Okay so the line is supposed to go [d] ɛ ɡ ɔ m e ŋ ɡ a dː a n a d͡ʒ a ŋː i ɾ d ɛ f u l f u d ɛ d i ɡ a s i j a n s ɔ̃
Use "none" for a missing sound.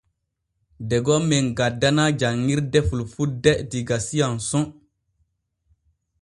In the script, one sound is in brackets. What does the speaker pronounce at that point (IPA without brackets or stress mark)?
d